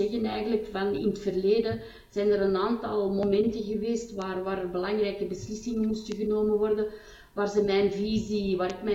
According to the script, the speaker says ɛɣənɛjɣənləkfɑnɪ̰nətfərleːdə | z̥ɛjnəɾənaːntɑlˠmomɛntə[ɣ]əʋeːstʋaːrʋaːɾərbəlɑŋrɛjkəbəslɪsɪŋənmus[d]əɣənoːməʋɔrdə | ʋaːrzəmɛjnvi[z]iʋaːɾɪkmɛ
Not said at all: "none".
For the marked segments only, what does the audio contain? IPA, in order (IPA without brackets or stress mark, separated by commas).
ɣ, t, z